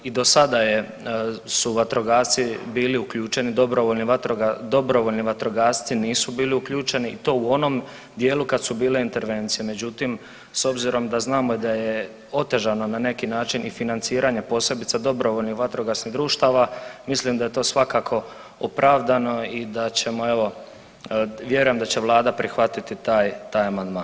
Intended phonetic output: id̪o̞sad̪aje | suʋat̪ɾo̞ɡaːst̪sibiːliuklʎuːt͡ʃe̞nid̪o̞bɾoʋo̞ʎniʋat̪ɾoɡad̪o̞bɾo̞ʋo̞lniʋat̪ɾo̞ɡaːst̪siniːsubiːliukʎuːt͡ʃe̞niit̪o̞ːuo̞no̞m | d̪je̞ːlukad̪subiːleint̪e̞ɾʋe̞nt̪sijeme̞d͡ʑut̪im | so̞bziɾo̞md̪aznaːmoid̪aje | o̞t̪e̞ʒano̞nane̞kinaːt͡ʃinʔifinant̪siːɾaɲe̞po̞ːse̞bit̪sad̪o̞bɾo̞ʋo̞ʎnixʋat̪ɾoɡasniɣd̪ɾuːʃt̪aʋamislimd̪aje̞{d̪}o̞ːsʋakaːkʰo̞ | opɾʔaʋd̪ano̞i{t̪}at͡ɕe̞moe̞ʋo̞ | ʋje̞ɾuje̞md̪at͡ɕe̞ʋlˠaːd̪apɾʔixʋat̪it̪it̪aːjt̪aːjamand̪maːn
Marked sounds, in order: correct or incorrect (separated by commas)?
incorrect, incorrect